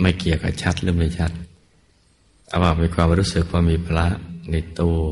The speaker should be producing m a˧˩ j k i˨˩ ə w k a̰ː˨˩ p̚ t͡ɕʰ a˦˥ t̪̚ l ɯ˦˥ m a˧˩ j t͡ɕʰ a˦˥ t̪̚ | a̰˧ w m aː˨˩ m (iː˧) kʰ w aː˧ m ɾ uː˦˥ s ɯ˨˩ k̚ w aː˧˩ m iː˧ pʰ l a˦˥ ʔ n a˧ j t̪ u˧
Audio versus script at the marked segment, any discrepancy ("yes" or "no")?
no